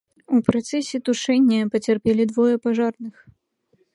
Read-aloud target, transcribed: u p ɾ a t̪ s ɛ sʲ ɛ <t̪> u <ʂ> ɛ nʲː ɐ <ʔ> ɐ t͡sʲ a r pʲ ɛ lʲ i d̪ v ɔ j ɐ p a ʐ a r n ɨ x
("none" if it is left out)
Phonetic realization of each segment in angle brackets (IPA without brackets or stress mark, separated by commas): t̪, ʂ, p